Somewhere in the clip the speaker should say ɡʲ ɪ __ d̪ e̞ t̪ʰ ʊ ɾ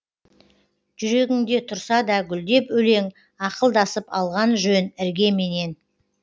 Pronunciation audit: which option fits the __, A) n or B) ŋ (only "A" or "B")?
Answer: B